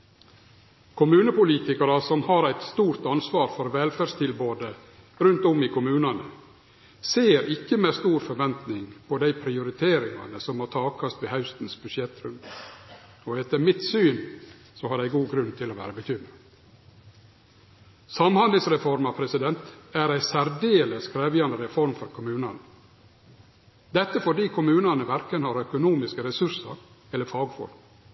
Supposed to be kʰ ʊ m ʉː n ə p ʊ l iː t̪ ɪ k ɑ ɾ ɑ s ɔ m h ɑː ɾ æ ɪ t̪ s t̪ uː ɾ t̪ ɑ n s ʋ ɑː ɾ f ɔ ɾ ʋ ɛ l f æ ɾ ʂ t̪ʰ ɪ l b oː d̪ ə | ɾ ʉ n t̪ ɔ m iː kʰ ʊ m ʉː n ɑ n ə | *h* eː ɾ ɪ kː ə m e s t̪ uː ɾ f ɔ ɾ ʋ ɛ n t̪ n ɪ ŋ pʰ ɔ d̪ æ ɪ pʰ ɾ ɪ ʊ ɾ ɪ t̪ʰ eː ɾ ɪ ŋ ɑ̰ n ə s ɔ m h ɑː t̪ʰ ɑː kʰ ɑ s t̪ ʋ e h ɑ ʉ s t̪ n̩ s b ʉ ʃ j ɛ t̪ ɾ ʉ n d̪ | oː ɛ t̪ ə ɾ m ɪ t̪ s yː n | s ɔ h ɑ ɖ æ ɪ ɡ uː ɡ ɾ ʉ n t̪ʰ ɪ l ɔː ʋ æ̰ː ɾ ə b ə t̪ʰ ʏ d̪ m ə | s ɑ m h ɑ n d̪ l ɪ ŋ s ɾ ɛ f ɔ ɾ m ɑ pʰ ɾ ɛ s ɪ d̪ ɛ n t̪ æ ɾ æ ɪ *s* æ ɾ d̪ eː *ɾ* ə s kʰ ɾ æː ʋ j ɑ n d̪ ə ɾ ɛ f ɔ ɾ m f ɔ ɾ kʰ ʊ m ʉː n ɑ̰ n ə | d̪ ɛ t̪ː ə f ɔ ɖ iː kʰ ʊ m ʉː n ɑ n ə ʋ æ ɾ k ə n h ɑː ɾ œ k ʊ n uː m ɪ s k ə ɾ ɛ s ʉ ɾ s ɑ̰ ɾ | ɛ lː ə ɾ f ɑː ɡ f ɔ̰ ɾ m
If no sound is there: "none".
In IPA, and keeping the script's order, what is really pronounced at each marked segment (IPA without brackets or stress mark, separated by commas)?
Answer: s, s, l